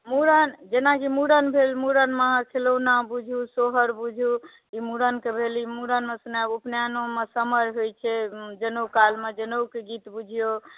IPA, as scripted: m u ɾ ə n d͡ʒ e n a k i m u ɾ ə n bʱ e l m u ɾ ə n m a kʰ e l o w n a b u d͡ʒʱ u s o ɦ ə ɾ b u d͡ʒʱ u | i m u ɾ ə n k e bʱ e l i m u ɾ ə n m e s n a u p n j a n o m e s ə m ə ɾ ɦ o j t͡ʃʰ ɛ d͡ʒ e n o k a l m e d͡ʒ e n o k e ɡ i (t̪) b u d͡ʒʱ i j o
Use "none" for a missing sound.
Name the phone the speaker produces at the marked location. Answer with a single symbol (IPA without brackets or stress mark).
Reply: t̪